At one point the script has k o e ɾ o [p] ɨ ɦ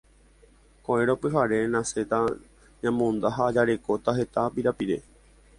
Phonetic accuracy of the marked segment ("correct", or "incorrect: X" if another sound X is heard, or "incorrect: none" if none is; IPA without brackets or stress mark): correct